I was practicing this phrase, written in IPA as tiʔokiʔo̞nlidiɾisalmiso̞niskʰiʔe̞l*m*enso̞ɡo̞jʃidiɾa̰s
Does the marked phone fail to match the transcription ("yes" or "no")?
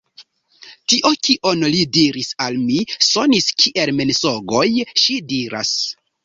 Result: no